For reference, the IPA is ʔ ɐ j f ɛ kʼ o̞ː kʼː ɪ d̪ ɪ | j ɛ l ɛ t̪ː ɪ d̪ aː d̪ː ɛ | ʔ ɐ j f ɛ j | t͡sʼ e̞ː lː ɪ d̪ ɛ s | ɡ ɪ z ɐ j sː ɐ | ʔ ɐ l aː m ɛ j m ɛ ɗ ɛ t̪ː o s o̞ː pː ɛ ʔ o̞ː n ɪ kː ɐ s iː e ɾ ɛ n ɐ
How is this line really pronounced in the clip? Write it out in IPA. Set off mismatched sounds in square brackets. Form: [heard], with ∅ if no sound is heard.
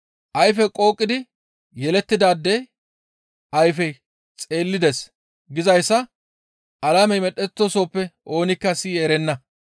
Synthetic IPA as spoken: ʔ ɐ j f ɛ kʼ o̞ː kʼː ɪ d̪ ɪ | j ɛ l ɛ t̪ː ɪ d̪ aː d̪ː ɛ | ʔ ɐ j f ɛ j | t͡sʼ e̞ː lː ɪ d̪ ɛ s | ɡ ɪ z ɐ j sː ɐ | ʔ ɐ l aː m ɛ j m ɛ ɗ ɛ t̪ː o s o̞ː pː ɛ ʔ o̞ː n ɪ kː ɐ s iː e ɾ ɛ [nː] ɐ